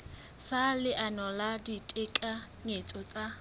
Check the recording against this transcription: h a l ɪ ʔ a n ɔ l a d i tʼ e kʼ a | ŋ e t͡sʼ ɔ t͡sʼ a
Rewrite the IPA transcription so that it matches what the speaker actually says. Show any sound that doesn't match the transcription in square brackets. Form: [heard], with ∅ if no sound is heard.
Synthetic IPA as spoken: [s] a l ɪ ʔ a n ɔ l a d i tʼ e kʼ a | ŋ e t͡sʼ ɔ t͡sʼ a